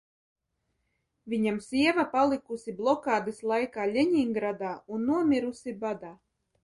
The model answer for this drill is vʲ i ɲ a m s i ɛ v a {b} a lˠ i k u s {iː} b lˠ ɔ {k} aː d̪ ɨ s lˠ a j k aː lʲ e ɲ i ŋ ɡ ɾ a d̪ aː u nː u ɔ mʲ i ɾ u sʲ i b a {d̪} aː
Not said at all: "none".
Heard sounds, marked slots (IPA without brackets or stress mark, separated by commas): p, i, k, d̪